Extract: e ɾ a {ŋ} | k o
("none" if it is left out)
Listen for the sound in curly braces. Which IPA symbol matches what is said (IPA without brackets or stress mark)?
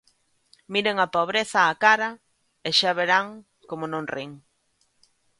ŋ